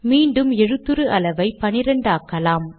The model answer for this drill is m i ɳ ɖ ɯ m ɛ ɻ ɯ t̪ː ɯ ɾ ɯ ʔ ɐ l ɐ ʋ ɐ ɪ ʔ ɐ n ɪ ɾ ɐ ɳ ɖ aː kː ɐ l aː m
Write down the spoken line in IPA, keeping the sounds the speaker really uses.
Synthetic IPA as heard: m iː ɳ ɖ ɯ m ɛ ɻ ɯ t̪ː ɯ ɾ ɯ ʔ ɐ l ɐ ʋ ɐ ɪ p ɐ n ɪ ɾ ɐ ɳ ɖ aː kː ɐ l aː m